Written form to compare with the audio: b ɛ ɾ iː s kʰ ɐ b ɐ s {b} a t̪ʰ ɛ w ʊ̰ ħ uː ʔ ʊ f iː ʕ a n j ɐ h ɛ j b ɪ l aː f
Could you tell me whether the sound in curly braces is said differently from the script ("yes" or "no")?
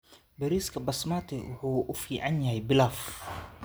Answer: yes